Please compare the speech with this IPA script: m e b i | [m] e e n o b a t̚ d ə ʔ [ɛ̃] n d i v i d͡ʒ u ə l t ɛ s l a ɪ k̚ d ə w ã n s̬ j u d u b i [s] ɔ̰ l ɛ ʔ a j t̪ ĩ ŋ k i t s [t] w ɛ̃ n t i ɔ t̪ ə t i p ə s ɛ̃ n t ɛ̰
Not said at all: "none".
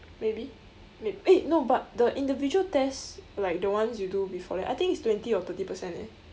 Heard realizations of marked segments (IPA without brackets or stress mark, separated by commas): m, ĩ, f, t